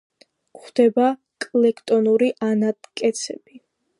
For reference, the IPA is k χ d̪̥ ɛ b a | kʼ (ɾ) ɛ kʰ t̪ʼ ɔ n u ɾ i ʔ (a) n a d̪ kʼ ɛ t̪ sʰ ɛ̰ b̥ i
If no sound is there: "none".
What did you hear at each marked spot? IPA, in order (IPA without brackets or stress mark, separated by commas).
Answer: l, a